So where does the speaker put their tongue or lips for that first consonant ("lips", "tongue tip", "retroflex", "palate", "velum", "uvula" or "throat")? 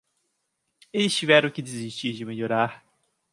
tongue tip